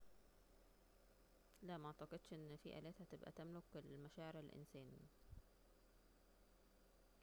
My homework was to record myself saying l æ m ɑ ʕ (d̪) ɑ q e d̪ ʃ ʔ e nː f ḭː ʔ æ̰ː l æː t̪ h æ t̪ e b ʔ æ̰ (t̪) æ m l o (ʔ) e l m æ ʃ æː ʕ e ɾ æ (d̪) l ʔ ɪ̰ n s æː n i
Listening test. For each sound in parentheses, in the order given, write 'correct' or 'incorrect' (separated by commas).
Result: incorrect, correct, incorrect, incorrect